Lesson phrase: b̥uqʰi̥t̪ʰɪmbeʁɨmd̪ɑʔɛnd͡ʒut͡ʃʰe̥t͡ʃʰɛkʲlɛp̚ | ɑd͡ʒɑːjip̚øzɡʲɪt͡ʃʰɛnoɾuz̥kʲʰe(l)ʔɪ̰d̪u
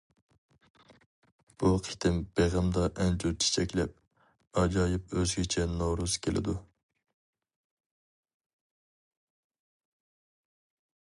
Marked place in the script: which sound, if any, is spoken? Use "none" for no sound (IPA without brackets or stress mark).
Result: l